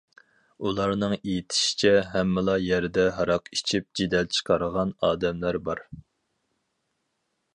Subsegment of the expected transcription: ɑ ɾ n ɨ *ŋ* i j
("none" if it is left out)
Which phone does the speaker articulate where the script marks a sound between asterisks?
ŋ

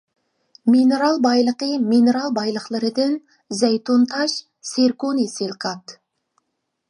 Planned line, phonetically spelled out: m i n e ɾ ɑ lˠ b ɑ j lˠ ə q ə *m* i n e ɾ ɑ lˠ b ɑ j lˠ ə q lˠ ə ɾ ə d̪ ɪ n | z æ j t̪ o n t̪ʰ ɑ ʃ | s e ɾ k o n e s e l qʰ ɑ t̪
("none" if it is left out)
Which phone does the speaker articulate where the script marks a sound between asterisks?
m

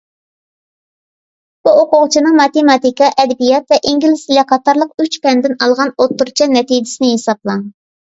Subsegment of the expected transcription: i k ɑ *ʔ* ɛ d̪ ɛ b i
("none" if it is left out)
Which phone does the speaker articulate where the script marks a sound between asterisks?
ʔ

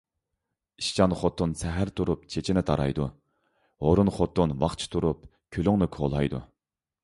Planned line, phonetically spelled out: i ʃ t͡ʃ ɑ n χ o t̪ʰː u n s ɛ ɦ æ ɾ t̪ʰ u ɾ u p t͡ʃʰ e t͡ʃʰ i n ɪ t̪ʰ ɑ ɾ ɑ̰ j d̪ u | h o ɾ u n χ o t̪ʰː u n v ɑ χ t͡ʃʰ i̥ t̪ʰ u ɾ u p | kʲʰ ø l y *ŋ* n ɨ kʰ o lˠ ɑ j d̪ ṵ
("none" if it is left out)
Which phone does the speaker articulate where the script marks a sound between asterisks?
ŋ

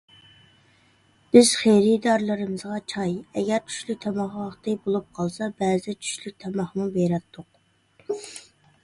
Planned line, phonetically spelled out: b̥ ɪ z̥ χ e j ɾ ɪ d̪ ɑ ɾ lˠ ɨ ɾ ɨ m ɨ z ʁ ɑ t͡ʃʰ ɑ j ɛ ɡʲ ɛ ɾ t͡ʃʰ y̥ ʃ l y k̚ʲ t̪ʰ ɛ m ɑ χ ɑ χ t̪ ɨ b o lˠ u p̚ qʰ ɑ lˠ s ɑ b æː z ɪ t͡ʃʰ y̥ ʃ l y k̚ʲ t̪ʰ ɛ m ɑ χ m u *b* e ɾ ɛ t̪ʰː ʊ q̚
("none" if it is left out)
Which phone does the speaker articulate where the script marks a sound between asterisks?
b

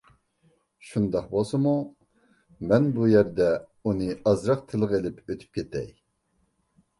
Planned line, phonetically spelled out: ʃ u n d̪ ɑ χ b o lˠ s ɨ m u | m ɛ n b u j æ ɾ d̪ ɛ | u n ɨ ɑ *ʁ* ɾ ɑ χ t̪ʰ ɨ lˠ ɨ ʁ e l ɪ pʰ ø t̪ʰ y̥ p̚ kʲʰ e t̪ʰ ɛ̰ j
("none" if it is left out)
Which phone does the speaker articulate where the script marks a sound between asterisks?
z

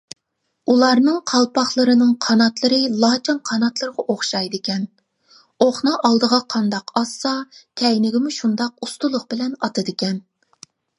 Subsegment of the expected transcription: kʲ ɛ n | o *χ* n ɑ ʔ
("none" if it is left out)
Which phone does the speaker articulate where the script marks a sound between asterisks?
χ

